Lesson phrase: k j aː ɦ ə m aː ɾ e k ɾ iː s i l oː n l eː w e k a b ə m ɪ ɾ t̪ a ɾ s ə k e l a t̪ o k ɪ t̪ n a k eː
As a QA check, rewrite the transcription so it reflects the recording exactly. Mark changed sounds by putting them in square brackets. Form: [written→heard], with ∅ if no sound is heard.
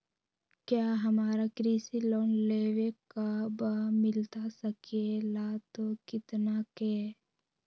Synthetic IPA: k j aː ɦ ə m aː ɾ [e→a] k ɾ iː s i l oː n l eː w e k a b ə m ɪ [ɾ→l] t̪ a [ɾ→∅] s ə k e l a t̪ o k ɪ t̪ n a k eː